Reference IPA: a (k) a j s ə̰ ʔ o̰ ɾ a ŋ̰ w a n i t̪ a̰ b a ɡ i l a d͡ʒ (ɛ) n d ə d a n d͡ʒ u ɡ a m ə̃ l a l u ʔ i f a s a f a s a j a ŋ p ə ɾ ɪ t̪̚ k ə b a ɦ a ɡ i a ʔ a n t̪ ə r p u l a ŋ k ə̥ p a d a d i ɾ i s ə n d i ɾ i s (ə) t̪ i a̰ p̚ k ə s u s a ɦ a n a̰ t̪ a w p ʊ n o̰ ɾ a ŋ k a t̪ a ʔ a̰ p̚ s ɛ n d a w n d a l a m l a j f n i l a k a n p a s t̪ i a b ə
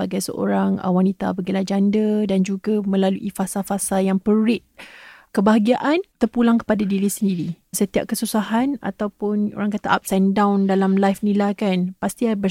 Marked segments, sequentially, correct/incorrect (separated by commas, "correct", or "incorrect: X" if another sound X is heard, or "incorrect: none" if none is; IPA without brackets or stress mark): incorrect: ɡ, incorrect: a, correct